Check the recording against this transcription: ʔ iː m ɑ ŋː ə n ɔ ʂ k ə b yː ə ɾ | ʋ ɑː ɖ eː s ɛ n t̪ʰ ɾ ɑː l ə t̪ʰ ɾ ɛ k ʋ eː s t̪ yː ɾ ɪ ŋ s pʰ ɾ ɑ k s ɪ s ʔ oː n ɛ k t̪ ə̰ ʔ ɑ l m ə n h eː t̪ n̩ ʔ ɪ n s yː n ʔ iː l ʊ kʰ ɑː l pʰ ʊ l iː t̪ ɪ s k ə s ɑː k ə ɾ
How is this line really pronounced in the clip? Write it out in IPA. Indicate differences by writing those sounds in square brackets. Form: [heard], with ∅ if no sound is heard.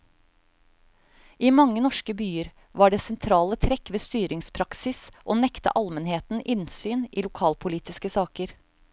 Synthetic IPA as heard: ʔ iː m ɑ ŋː ə n ɔ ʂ k ə b yː ə ɾ | ʋ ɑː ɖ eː s ɛ n t̪ʰ ɾ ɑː l ə t̪ʰ ɾ ɛ k ʋ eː s t̪ yː ɾ ɪ ŋ s pʰ ɾ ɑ k s ɪ s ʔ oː n ɛ k t̪ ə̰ ʔ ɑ l m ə n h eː t̪ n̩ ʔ ɪ n s yː n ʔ iː l ʊ kʰ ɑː l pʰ ʊ l iː t̪ ɪ s k ə s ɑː k ə ɾ

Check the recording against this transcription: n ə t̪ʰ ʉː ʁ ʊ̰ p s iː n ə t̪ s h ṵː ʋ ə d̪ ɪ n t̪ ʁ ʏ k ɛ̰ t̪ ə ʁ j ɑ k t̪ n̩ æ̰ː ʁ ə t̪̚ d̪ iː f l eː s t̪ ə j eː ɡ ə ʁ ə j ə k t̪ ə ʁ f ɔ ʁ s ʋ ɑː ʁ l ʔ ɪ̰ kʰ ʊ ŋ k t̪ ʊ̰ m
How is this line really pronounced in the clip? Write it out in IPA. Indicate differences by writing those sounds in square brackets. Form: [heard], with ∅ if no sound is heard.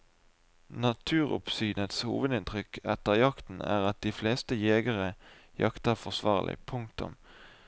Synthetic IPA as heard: n [ɑ] t̪ʰ ʉː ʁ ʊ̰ p s [yː] n ə t̪ s h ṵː ʋ ə d̪ ɪ n t̪ ʁ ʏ k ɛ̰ t̪ ə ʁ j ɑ k t̪ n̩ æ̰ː ʁ [ɑ] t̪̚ d̪ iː f l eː s t̪ ə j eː ɡ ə ʁ ə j [ɑ] k t̪ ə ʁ f ɔ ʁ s ʋ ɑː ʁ l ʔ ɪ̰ [pʰ] ʊ ŋ k t̪ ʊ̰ m

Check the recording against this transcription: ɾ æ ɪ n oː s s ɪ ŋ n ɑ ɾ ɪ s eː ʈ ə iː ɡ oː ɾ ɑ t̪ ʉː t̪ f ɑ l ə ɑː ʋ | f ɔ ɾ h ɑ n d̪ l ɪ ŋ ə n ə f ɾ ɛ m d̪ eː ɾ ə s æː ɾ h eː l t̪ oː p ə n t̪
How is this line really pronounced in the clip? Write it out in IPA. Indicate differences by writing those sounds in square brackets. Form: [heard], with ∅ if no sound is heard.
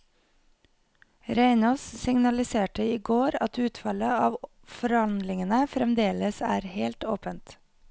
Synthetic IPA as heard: ɾ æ ɪ n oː s s ɪ ŋ n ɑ [l] ɪ s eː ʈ ə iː ɡ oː ɾ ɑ t̪ ʉː t̪ f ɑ l ə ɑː ʋ | f ɔ ɾ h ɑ n d̪ l ɪ ŋ ə n ə f ɾ ɛ m d̪ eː [l] ə s æː ɾ h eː l t̪ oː p ə n t̪

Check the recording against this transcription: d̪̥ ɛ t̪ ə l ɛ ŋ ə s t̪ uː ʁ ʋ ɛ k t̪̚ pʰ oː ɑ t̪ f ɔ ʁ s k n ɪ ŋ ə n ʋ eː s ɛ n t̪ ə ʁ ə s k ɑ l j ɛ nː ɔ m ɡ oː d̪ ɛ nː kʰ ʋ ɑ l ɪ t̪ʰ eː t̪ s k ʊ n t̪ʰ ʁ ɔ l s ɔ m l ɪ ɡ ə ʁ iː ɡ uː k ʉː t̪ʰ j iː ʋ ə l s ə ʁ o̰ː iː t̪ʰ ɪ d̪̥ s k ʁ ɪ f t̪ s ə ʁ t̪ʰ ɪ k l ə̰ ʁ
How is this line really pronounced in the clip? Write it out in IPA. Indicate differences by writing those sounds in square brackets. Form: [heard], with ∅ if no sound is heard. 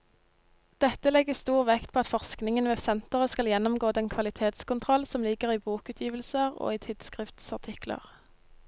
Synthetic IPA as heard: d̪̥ ɛ t̪ ə l ɛ [ɡ] ə s t̪ uː ʁ ʋ ɛ k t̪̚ pʰ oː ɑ t̪ f ɔ ʁ s k n ɪ ŋ ə n ʋ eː s ɛ n t̪ ə ʁ ə s k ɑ l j ɛ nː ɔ m ɡ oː d̪ ɛ [n] kʰ ʋ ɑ l ɪ t̪ʰ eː t̪ s k ʊ n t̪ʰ ʁ ɔ l s ɔ m l ɪ ɡ ə ʁ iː [b] uː k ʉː t̪ʰ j iː ʋ ə l s ə ʁ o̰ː iː t̪ʰ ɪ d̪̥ s k ʁ ɪ f t̪ s [ɑ] ʁ t̪ʰ ɪ k l ə̰ ʁ

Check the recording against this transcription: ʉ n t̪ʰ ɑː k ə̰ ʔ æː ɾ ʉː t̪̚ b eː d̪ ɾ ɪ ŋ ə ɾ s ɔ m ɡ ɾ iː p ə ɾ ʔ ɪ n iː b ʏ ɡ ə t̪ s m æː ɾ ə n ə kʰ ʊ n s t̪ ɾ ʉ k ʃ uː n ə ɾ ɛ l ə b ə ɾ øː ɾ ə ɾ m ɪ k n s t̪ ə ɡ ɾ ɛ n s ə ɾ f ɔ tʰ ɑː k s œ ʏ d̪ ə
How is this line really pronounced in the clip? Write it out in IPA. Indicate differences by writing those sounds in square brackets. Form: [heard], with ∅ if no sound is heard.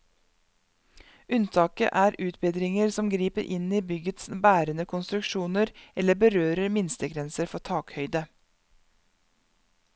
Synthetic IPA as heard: ʉ n t̪ʰ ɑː k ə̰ ʔ æː ɾ ʉː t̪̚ b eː d̪ ɾ ɪ ŋ ə ɾ s ɔ m ɡ ɾ iː p ə ɾ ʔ ɪ n iː b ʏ ɡ ə t̪ s [b] æː ɾ ə n ə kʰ ʊ n s t̪ ɾ ʉ k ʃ uː n ə ɾ ɛ l ə b ə ɾ øː ɾ ə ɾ m ɪ [∅] n s t̪ ə ɡ ɾ ɛ n s ə ɾ f ɔ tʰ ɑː k [h] œ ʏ d̪ ə

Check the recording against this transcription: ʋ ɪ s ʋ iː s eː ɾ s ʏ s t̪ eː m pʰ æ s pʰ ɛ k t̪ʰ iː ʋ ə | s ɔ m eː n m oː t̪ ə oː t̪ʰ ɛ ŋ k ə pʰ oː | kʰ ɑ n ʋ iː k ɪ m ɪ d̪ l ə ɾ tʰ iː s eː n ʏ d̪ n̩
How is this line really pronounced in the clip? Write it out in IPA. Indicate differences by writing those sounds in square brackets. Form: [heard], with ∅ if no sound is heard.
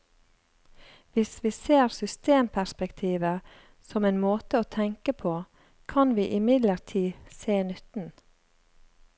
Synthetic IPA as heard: ʋ ɪ s ʋ iː s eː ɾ s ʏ s t̪ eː m pʰ æ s [p] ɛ k t̪ʰ iː ʋ ə | s ɔ m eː n m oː t̪ ə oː t̪ʰ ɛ ŋ k ə pʰ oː | kʰ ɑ n ʋ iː [ʔ] ɪ m ɪ d̪ l ə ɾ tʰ iː s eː n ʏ [t̪] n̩

